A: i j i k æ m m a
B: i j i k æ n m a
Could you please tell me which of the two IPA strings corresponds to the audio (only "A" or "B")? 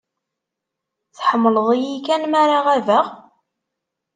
B